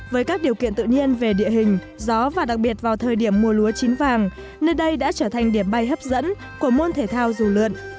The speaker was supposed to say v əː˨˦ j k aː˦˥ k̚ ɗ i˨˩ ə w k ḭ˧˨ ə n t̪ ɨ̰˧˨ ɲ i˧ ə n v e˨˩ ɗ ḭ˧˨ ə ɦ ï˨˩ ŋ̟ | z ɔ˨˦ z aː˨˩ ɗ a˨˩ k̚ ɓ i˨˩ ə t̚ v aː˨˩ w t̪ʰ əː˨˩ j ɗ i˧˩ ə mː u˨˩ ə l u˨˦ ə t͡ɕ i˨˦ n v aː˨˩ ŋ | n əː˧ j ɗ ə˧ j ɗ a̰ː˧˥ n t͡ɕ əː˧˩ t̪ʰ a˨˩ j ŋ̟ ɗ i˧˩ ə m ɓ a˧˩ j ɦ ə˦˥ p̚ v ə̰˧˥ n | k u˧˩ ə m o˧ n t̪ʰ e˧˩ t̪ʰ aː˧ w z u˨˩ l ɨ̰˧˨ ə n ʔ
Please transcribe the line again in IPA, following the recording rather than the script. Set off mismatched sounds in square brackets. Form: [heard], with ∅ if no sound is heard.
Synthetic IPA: v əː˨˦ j k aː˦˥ k̚ ɗ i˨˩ ə w k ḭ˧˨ ə n t̪ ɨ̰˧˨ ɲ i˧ ə n v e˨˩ ɗ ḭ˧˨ ə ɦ ï˨˩ ŋ̟ | z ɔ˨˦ [v] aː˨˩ ɗ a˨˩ k̚ ɓ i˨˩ ə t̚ v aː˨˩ w t̪ʰ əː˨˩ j ɗ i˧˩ ə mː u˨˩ ə l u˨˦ ə t͡ɕ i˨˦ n v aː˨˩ ŋ | n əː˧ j ɗ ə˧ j ɗ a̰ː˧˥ [∅] t͡ɕ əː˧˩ t̪ʰ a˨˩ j ŋ̟ ɗ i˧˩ ə m ɓ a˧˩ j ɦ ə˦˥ p̚ [z] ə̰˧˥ n | k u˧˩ ə m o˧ n t̪ʰ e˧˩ t̪ʰ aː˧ w z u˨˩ l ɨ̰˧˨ ə n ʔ